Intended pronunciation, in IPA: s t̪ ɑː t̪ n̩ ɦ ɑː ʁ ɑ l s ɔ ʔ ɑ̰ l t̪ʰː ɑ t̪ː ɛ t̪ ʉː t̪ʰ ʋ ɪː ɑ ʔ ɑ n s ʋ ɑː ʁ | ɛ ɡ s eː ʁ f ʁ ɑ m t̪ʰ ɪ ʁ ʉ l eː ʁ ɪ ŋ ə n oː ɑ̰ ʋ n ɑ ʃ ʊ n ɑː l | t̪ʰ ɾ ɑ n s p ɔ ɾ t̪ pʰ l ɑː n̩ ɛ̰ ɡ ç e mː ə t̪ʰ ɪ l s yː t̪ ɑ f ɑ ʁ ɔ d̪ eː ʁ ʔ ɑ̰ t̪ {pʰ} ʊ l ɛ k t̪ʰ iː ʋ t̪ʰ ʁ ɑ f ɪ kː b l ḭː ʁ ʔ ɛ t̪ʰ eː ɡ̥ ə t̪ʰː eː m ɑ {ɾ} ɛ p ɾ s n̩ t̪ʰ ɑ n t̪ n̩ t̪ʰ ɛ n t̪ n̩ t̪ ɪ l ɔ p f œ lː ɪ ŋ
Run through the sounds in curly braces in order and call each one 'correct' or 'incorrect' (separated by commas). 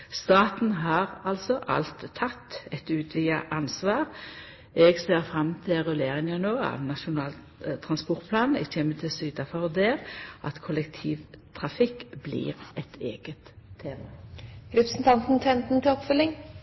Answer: incorrect, correct